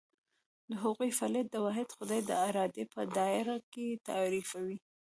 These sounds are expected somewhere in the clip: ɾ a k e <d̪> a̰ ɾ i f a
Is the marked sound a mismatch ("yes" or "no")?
yes